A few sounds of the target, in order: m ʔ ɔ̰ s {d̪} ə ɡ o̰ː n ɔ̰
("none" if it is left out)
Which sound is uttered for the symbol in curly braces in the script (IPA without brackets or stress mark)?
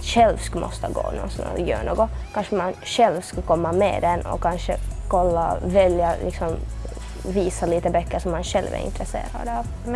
t̪